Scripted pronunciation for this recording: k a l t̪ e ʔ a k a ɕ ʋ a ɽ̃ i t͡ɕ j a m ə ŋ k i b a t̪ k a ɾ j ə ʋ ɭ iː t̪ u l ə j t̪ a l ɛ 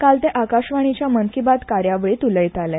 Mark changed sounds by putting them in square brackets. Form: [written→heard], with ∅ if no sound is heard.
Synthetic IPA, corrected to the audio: k a l t̪ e ʔ a k a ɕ ʋ a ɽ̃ i t͡ɕ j a m ə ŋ k i b a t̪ k a ɾ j [ə→a] ʋ ɭ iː t̪ u l ə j t̪ a l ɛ